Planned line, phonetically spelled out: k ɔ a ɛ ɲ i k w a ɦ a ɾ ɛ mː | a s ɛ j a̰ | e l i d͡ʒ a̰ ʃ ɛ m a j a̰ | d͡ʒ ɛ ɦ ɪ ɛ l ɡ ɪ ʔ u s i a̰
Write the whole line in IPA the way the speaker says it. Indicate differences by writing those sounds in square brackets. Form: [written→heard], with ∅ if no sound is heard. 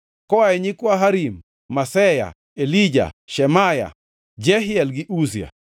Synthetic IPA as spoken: k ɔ a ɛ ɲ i k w a ɦ a ɾ [ɛ→i] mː | a s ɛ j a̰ | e l i d͡ʒ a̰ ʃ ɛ m a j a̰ | d͡ʒ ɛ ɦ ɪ ɛ l ɡ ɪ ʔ u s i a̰